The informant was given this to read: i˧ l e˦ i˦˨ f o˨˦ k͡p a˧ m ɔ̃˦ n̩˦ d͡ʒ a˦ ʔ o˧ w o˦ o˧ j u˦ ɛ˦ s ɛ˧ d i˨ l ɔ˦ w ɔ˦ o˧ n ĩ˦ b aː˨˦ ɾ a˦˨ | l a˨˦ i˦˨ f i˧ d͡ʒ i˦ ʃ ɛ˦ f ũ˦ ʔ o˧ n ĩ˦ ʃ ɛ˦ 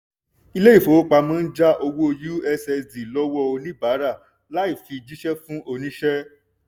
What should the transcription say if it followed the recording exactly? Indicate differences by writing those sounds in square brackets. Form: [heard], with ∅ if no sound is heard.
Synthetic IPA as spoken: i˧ l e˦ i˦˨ f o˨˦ k͡p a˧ m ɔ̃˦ n̩˦ d͡ʒ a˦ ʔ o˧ w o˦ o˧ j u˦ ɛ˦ s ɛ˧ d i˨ l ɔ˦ w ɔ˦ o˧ n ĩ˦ b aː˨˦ ɾ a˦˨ | l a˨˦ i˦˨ f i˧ d͡ʒ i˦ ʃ ɛ˦ f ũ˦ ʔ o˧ n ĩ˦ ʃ ɛ˦